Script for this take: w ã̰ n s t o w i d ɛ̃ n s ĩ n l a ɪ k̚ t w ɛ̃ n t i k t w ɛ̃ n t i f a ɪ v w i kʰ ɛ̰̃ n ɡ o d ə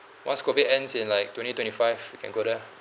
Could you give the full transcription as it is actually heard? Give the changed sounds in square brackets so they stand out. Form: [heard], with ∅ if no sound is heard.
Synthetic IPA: w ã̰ n s [k] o [v] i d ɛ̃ n s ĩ n l a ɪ k̚ t w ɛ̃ n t i [∅] t w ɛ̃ n t i f a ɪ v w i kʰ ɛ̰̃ n ɡ o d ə